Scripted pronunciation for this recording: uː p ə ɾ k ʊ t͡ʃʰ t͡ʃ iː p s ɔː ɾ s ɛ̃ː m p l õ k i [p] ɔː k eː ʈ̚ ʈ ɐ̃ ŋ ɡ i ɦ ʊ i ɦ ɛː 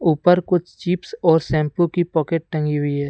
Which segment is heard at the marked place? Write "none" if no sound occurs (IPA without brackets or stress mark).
p